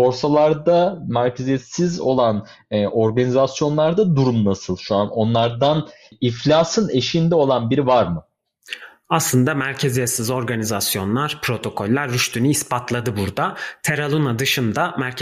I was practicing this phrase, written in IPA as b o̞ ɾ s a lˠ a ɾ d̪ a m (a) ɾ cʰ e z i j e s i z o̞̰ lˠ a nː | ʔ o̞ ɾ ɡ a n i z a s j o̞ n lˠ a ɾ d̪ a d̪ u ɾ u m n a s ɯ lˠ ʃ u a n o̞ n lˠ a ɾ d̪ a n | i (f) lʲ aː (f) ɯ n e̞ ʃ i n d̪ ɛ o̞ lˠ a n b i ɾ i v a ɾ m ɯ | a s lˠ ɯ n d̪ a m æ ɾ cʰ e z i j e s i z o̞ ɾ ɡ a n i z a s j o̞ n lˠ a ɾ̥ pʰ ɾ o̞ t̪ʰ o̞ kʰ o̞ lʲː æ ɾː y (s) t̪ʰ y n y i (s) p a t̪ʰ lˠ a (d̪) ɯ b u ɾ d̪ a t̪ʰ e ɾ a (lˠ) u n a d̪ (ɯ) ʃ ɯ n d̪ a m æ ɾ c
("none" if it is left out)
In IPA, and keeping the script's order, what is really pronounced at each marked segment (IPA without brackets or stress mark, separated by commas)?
æ, f, s, ʃ, s, d̪, lˠ, ɯ